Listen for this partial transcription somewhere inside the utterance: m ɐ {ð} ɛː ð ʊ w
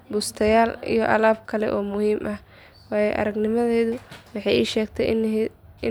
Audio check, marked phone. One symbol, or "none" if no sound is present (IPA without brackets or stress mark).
ð